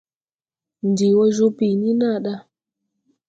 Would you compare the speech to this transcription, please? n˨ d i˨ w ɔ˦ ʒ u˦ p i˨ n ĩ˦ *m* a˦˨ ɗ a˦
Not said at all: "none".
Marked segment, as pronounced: n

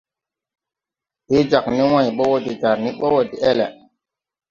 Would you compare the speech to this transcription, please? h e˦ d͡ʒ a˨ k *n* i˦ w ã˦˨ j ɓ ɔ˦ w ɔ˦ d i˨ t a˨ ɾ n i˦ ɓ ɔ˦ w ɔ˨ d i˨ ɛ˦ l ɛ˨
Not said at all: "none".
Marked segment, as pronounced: n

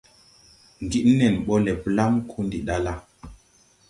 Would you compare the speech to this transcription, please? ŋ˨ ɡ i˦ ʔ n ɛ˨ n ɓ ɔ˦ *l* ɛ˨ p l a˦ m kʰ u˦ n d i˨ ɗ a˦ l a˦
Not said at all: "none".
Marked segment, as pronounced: l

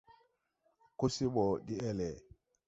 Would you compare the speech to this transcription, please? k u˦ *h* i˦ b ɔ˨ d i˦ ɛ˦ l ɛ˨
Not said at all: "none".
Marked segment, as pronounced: s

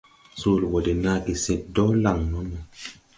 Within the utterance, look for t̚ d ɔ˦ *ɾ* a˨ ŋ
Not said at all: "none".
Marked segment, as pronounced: l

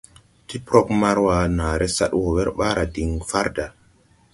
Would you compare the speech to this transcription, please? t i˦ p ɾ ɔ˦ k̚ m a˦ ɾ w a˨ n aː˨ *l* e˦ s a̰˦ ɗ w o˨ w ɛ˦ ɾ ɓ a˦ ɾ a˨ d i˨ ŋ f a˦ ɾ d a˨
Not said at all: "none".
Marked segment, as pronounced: ɾ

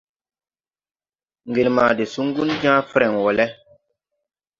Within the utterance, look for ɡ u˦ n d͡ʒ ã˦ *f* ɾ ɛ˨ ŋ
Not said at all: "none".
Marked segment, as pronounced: f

